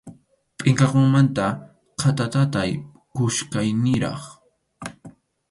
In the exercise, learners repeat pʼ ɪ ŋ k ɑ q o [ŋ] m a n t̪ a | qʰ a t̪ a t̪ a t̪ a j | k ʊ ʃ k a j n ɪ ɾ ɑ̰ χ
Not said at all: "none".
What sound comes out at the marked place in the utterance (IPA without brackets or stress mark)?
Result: ŋ